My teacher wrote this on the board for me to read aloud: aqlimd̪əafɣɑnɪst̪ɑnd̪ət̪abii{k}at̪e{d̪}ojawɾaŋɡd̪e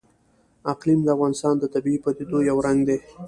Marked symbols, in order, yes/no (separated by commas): no, yes